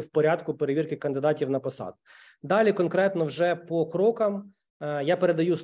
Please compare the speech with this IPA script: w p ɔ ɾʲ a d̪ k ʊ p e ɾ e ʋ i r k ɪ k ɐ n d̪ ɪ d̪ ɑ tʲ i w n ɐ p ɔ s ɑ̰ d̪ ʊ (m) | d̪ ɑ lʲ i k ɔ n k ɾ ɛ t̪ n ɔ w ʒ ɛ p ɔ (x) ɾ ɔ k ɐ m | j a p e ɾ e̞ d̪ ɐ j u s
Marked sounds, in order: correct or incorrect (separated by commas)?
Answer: incorrect, incorrect